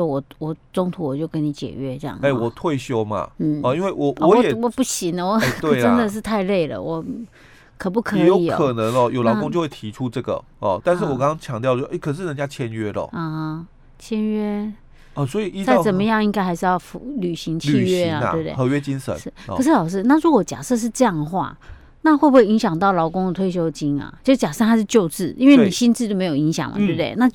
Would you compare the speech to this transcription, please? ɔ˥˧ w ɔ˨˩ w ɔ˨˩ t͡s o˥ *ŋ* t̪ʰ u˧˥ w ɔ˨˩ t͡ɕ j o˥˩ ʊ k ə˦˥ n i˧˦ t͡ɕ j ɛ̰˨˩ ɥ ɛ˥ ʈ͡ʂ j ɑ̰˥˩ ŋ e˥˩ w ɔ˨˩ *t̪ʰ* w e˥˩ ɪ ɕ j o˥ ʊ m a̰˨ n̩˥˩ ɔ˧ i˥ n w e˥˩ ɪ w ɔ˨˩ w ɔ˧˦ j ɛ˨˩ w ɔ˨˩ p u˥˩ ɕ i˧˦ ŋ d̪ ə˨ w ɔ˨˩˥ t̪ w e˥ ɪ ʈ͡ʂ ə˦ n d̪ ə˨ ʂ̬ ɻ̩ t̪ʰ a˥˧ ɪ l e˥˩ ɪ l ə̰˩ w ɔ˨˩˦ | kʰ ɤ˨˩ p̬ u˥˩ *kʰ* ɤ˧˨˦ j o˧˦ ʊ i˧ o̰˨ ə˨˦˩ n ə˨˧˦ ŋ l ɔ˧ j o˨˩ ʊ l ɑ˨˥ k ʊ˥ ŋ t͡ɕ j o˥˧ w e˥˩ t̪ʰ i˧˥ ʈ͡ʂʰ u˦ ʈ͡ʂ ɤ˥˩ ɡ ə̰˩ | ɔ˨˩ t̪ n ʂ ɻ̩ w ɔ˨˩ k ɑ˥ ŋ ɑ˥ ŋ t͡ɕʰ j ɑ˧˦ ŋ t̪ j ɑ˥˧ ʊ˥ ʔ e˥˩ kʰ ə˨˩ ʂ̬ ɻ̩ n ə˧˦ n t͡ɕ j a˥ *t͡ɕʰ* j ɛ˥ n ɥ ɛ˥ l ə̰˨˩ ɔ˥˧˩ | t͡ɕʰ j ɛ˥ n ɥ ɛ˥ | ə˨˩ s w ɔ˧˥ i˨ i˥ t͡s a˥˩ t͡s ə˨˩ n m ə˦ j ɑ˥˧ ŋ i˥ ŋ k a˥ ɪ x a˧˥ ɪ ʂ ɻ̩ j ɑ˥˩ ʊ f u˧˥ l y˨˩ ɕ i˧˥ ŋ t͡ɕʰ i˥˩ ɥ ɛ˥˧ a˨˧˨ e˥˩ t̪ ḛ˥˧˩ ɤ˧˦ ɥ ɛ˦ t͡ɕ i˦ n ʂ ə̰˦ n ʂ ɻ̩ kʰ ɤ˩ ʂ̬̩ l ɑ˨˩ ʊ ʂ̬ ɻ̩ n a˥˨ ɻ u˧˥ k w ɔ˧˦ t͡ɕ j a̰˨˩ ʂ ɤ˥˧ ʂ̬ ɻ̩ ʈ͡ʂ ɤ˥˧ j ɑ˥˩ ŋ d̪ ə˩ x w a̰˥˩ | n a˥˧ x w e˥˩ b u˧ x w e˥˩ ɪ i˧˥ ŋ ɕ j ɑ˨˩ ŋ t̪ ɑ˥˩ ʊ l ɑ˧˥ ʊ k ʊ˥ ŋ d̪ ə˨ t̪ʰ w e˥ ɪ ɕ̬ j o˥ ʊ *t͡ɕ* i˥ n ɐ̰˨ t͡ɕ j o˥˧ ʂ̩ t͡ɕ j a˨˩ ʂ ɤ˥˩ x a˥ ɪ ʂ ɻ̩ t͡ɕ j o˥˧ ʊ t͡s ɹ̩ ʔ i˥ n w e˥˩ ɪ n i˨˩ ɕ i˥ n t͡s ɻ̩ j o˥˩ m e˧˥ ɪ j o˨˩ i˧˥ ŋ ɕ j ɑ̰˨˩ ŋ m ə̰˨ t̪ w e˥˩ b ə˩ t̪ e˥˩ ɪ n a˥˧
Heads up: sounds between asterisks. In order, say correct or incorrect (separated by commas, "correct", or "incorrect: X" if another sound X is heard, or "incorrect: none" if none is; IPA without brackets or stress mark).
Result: correct, correct, correct, correct, correct